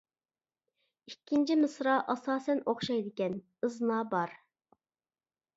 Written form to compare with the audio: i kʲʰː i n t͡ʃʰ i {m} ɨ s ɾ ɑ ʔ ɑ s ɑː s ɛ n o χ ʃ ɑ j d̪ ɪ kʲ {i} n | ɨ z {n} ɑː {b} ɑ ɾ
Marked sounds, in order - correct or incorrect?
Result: correct, incorrect: ɛ, correct, correct

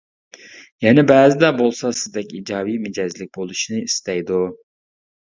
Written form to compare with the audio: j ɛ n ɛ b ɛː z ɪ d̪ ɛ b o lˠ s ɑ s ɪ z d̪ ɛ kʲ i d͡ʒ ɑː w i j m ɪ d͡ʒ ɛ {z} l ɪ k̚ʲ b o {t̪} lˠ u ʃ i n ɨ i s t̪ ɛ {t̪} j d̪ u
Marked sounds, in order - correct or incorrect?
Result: correct, incorrect: none, incorrect: none

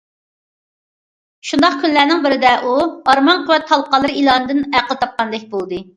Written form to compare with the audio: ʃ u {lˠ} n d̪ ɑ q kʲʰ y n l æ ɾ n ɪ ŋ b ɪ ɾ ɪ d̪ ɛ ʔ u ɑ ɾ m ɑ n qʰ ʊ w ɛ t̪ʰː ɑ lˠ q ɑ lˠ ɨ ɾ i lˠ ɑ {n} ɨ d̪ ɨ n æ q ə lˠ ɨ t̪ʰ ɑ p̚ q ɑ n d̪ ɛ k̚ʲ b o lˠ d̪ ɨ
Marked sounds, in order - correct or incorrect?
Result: incorrect: none, correct

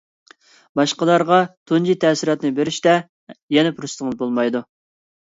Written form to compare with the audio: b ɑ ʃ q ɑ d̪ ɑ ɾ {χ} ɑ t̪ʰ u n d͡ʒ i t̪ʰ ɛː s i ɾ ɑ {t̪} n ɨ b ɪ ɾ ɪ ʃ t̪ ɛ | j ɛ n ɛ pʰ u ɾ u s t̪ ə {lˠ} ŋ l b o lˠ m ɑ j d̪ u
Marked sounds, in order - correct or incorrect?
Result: incorrect: ʁ, correct, incorrect: none

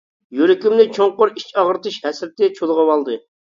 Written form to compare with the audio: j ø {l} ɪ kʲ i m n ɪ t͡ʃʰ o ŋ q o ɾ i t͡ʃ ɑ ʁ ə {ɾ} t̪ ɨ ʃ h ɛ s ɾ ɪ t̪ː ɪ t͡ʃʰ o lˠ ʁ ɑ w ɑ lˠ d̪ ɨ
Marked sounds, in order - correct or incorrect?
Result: incorrect: ɾ, correct

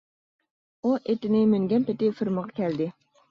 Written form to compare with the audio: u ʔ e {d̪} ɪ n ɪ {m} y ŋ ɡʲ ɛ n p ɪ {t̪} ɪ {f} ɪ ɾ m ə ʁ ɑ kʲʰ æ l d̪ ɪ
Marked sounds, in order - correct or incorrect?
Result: incorrect: t̪, correct, correct, correct

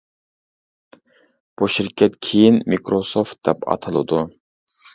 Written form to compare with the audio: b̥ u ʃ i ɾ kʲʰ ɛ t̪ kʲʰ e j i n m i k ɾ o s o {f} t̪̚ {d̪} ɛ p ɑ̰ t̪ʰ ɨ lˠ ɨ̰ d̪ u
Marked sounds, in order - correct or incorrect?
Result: correct, correct

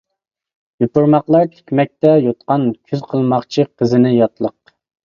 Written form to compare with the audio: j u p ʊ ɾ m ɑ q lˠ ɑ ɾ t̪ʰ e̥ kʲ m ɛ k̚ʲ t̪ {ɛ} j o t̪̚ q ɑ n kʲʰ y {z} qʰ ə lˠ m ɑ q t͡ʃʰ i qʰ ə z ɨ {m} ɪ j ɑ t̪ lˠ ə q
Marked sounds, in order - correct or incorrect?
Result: correct, correct, incorrect: n

